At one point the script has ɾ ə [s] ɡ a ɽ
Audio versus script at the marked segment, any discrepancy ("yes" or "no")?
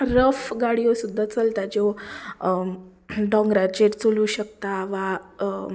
yes